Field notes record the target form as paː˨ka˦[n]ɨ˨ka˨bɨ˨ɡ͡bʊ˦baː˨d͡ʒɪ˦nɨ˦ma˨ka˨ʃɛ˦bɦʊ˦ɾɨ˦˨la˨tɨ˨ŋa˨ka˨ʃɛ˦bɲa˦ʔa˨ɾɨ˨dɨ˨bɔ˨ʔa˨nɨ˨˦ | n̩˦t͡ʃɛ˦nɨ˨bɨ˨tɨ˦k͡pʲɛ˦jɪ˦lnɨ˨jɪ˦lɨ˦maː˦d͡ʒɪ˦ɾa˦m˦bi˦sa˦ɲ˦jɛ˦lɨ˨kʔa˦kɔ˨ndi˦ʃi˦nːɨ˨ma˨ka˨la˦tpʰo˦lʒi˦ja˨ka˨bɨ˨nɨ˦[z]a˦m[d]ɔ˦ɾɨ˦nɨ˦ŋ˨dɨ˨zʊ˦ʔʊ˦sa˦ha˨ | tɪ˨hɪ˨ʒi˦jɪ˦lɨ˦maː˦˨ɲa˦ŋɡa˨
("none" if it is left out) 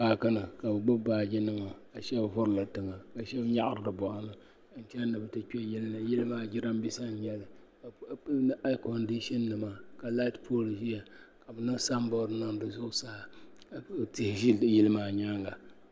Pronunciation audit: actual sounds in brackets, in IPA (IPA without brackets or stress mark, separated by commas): n, s, b